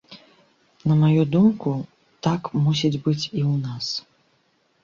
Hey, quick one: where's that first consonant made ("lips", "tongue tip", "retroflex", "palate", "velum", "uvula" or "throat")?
tongue tip